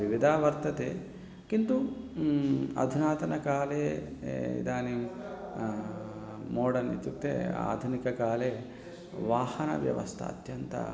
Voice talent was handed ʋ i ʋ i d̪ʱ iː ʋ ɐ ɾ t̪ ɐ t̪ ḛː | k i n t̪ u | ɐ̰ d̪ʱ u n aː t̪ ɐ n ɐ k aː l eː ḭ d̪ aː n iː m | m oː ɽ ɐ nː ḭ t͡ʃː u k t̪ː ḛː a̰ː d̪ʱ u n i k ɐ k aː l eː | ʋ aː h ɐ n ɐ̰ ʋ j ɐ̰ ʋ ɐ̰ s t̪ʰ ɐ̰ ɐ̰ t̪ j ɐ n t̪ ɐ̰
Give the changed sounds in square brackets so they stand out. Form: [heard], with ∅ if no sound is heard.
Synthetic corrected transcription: ʋ i ʋ i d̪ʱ [aː] ʋ ɐ ɾ t̪ ɐ t̪ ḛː | k i n t̪ u | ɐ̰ d̪ʱ u n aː t̪ ɐ n ɐ k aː l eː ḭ d̪ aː n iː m | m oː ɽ ɐ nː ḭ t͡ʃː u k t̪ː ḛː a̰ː d̪ʱ u n i k ɐ k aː l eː | ʋ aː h ɐ n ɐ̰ ʋ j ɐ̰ ʋ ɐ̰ s t̪ʰ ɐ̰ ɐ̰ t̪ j ɐ n t̪ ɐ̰